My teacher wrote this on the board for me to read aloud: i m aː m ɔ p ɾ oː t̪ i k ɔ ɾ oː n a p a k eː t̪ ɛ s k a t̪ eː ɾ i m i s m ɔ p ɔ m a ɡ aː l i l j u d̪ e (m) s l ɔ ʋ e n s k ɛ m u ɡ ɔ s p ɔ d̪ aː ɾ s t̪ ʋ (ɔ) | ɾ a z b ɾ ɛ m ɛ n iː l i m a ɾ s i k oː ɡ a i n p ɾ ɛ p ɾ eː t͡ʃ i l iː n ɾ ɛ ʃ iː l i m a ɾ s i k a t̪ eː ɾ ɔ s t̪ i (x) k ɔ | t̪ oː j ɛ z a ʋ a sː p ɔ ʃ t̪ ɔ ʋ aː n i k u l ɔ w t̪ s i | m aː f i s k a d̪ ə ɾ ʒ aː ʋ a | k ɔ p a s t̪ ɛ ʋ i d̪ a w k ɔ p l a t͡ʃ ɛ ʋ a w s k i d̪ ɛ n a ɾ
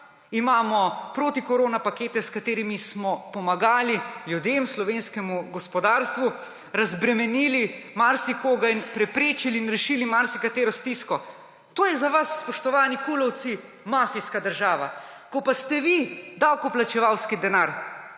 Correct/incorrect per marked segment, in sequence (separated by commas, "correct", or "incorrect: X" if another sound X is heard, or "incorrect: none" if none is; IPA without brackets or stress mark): correct, incorrect: u, incorrect: s